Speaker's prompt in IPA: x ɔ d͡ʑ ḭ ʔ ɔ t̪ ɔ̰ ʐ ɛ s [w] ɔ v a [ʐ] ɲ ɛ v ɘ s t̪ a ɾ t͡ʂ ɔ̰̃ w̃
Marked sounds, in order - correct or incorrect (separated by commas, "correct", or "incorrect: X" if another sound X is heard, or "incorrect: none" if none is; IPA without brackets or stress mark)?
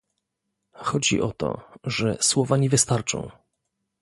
correct, incorrect: none